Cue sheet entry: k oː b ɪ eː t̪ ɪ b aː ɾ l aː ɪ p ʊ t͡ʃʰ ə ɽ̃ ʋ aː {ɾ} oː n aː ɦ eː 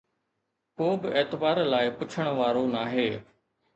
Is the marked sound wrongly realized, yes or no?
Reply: no